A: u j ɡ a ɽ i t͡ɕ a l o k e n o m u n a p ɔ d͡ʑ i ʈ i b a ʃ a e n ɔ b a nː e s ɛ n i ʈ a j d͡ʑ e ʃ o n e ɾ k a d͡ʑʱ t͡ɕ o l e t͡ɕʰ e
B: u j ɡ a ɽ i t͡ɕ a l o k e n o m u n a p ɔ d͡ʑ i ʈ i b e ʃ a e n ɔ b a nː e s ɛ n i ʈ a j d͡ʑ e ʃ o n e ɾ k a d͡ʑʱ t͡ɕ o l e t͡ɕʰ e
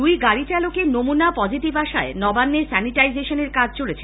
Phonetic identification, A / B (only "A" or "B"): A